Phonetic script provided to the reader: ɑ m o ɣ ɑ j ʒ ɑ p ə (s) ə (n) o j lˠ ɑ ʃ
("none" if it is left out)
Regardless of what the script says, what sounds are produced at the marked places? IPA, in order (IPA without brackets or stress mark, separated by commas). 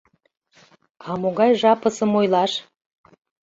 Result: s, m